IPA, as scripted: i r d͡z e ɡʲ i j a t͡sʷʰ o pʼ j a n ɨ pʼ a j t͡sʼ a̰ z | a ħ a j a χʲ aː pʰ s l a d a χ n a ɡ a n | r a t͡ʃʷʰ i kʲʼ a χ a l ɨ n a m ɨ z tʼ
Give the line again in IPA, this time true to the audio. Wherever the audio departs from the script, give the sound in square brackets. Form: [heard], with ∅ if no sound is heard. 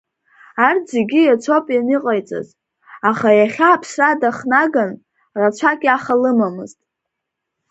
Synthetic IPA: [a] r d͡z e ɡʲ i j a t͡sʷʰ o pʼ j a n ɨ [qʼ] a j t͡sʼ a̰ z | a [χ] a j a χʲ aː pʰ s [r] a d a χ n a ɡ a n | r a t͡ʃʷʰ [a] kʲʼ a χ a l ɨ [m] a m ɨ z tʼ